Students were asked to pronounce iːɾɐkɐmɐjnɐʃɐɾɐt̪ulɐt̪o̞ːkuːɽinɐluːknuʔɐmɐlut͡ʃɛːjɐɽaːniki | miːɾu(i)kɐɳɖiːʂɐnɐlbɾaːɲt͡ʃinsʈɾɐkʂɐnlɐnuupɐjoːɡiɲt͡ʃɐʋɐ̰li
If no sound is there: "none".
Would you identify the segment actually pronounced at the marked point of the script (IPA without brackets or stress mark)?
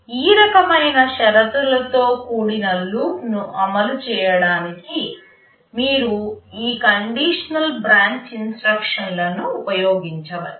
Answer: iː